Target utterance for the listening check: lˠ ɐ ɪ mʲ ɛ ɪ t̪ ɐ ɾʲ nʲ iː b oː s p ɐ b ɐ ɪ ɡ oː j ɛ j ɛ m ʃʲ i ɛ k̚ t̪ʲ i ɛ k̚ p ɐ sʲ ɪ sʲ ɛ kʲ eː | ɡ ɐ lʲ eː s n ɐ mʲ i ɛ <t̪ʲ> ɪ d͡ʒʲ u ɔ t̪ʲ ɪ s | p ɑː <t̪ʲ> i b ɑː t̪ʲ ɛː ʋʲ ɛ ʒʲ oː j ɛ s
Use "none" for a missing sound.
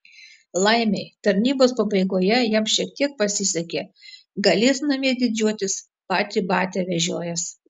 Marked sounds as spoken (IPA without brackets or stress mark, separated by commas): d̪ʲ, t̪ʲ